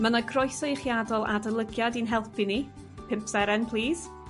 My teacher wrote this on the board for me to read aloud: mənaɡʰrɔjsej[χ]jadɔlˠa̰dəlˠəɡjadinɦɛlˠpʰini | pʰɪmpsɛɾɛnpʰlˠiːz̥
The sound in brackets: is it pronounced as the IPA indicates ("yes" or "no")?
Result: yes